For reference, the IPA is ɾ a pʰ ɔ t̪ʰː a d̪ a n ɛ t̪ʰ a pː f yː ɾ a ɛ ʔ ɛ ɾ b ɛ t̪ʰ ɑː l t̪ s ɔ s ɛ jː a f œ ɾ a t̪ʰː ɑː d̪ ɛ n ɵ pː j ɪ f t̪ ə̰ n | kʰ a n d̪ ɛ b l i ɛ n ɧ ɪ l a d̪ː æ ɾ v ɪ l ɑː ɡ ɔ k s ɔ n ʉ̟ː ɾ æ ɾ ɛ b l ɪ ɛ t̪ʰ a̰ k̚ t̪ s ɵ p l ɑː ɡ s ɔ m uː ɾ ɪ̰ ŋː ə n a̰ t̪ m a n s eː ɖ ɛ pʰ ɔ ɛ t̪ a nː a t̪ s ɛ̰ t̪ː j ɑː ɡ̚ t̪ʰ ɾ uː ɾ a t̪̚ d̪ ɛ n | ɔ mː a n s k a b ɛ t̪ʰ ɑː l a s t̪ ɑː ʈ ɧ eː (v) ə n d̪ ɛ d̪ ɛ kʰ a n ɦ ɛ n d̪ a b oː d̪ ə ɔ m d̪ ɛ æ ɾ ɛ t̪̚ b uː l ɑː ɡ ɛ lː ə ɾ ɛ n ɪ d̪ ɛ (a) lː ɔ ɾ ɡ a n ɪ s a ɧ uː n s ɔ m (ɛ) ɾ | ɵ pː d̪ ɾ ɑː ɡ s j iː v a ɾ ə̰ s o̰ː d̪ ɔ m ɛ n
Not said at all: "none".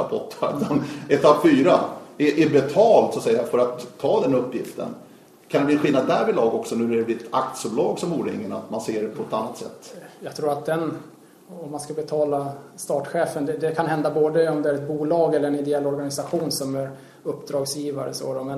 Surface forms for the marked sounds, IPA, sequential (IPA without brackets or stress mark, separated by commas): f, ɛ, æ